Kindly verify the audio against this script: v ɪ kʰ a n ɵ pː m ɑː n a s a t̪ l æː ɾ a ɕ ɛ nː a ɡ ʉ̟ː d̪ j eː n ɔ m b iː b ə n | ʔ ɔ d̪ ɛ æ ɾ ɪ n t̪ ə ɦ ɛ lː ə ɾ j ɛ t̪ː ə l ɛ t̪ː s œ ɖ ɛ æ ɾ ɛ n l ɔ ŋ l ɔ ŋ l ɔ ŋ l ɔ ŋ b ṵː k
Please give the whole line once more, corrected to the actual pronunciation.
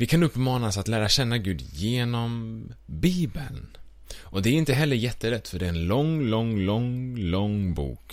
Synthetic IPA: v ɪ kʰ a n ɵ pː m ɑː n a s a t̪ l æː ɾ a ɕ ɛ nː a ɡ ʉ̟ː d̪ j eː n ɔ m b iː b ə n | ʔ ɔ d̪ ɛ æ ɾ ɪ n t̪ ə ɦ ɛ lː ə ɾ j ɛ t̪ː ə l ɛ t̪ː f œ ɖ ɛ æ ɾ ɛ n l ɔ ŋ l ɔ ŋ l ɔ ŋ l ɔ ŋ b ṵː k